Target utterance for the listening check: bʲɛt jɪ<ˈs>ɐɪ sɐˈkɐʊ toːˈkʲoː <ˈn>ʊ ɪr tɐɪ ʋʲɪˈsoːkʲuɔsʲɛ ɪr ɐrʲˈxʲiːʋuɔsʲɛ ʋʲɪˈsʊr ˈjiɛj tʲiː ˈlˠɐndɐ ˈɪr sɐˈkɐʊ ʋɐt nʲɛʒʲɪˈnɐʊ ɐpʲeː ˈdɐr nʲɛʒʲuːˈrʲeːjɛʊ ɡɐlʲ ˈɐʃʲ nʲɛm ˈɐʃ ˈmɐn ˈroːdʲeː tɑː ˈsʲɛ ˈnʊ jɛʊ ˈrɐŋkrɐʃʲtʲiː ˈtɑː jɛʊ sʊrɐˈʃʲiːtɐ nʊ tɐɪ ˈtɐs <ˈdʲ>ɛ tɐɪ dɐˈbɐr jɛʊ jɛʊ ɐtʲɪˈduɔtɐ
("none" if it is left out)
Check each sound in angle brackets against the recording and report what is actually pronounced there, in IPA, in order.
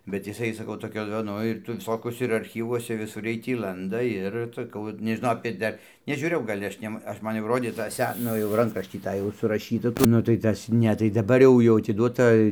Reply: s, n, nʲ

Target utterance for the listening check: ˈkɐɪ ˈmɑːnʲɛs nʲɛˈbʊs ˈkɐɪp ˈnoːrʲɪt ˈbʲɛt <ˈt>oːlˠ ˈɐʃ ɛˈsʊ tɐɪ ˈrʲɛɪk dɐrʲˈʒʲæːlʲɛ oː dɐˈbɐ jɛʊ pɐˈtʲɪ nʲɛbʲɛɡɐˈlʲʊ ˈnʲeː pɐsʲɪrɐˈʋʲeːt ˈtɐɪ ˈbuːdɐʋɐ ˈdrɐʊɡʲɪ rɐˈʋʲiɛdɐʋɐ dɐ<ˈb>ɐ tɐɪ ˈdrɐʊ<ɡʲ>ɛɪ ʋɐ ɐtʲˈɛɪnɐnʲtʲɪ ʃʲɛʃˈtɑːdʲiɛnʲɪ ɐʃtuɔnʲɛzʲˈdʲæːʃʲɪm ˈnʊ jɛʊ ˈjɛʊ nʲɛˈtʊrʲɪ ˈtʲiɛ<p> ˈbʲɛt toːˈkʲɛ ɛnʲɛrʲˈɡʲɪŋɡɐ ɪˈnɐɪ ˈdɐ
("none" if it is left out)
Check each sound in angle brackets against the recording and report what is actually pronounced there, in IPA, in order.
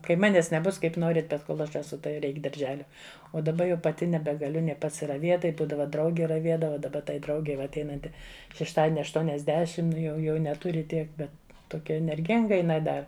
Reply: k, b, ɡʲ, k

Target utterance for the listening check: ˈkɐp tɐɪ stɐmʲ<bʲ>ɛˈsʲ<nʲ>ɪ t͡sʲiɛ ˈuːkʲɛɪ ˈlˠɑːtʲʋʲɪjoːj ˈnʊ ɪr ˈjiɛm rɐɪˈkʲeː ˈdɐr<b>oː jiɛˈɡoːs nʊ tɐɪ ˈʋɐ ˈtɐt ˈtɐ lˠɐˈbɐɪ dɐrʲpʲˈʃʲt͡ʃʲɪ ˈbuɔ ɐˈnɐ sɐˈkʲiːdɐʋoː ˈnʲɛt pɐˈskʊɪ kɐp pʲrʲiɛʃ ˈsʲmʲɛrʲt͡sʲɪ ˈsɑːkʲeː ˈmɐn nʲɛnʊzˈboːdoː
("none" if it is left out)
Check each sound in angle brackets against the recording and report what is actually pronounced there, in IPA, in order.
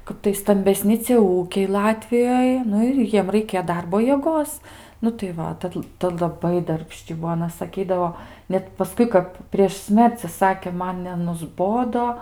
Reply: bʲ, nʲ, b

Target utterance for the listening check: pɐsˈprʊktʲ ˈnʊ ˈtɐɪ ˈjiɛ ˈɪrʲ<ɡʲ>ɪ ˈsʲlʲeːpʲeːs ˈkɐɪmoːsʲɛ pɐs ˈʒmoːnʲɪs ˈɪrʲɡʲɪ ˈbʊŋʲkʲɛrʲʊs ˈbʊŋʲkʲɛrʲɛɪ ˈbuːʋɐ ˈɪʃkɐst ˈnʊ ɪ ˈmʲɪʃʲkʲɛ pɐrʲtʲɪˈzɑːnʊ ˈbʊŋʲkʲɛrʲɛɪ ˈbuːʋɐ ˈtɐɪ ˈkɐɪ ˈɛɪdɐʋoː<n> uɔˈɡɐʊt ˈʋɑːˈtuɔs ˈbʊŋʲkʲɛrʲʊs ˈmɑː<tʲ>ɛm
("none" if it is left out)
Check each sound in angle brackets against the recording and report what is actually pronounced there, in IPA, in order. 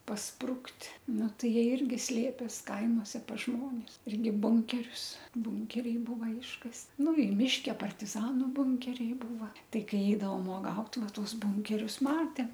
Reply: ɡʲ, m, tʲ

